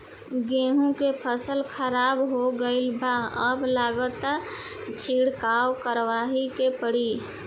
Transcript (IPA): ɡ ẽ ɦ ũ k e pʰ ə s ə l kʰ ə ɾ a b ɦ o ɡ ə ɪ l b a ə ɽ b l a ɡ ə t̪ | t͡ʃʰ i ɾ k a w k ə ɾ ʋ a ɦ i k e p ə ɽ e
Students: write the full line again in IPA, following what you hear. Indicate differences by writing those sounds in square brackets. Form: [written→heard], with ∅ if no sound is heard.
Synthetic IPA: ɡ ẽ ɦ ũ k e pʰ ə s ə l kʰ ə ɾ a b ɦ o ɡ ə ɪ l b a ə [ɽ→∅] b l a ɡ ə t̪ | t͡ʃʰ i [ɾ→ɽ] k a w k ə ɾ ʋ a ɦ i k e p ə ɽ [e→i]